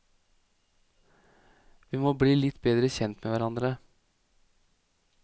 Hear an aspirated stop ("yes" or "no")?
no